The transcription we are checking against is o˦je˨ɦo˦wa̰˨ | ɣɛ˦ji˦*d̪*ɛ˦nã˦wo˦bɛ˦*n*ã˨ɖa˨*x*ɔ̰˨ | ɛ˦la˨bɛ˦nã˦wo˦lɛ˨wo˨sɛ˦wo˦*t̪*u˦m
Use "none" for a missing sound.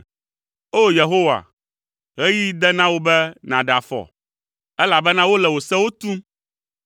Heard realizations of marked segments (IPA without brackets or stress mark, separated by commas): d̪, n, f, t̪